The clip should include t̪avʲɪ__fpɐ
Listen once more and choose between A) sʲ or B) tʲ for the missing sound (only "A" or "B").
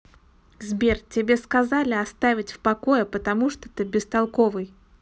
B